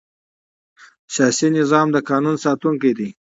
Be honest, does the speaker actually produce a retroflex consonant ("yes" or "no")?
no